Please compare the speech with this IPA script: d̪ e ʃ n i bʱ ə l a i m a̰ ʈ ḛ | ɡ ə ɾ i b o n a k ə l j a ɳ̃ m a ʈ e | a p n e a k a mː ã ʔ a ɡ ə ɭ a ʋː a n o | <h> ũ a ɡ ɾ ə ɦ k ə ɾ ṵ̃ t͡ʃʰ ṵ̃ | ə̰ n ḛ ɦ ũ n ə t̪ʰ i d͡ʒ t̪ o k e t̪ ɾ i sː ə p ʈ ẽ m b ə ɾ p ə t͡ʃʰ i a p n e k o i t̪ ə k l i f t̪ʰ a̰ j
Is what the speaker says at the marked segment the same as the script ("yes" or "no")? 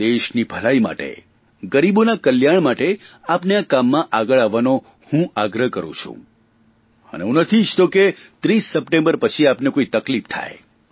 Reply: yes